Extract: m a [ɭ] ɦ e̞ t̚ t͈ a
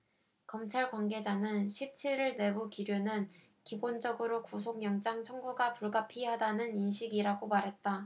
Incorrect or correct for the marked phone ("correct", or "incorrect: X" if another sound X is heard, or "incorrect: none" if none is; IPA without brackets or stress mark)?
incorrect: ɾ